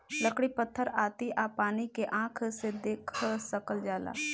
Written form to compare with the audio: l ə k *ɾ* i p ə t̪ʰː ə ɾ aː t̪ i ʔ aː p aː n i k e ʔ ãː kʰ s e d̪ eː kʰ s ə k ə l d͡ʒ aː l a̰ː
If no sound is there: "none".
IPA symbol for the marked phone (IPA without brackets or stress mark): ɽ